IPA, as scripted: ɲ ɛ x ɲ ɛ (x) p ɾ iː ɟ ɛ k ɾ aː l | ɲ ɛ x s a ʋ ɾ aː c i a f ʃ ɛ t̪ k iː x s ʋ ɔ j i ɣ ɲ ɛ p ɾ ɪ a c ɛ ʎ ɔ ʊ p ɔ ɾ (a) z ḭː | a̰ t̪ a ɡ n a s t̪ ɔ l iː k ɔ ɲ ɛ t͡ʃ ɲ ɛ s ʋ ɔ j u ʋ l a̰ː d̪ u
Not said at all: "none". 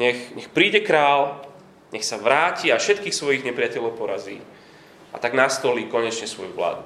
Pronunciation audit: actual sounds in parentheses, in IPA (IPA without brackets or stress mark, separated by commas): x, a